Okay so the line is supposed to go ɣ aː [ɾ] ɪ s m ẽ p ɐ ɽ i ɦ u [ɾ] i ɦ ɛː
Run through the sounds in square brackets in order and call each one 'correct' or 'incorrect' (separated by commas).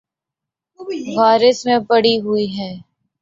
correct, incorrect